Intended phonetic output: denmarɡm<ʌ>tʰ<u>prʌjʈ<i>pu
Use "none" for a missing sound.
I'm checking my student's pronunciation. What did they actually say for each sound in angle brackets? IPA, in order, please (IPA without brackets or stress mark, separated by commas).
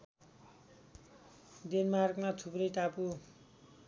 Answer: a, u, a